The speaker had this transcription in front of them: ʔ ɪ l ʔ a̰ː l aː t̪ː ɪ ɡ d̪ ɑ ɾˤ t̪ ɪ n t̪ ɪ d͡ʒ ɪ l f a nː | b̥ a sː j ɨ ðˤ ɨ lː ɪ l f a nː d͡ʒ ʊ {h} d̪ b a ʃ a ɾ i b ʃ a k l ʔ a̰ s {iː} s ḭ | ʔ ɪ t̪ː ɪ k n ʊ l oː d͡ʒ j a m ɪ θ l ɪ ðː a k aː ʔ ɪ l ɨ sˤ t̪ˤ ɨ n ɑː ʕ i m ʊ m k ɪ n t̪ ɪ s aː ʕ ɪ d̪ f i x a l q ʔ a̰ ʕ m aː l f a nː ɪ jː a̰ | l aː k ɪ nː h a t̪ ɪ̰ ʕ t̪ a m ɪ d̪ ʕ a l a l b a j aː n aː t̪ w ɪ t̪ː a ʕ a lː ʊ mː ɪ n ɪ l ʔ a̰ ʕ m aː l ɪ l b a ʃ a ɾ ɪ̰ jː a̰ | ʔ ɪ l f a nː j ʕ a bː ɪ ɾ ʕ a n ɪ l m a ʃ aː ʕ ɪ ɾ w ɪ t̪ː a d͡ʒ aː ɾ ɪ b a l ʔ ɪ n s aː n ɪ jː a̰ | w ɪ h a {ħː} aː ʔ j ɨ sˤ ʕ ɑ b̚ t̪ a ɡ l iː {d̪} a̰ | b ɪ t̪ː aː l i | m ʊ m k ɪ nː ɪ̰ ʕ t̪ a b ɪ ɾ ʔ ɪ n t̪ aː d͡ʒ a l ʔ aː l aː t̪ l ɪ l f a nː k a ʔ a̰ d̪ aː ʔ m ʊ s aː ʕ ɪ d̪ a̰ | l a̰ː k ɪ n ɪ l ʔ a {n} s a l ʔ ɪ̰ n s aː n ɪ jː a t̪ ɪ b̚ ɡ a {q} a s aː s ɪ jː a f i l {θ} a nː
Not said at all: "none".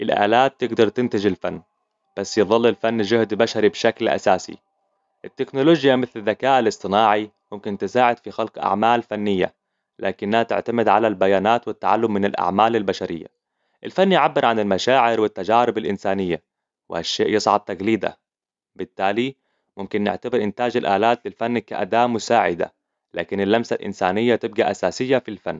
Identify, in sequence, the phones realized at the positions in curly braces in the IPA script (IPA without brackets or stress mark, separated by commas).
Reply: h, aː, ʃː, d̪, m, ʔ, f